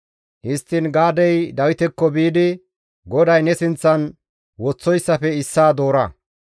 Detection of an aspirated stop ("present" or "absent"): absent